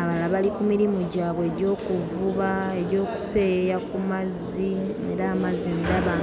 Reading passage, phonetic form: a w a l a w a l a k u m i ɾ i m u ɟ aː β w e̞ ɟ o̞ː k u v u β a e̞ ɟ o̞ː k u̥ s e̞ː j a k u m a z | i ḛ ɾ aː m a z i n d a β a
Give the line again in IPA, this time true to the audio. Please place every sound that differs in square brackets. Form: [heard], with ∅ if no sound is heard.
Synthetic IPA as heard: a [β] a l a [β] a l [i] k u m i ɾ i m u ɟ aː β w e̞ ɟ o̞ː k u v u β a e̞ ɟ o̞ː k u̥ s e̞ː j a k u m a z | i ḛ ɾ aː m a z i n d a β a